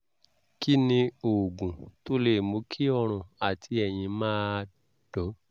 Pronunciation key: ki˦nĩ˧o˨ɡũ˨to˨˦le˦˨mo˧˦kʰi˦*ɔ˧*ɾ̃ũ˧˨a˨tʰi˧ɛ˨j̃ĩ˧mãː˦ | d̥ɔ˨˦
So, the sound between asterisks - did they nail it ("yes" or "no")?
yes